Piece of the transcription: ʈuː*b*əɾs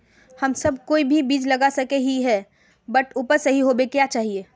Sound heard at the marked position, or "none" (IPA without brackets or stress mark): p